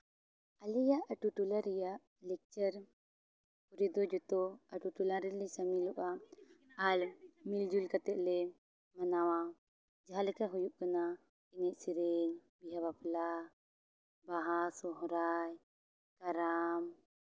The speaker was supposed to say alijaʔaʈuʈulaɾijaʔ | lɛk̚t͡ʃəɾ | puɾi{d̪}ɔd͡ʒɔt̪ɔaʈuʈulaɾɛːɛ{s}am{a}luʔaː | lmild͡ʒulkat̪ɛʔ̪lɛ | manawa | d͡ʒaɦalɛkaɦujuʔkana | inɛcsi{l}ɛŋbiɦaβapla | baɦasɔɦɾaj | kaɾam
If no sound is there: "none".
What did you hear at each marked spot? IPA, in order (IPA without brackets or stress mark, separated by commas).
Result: d̪, s, i, ɾ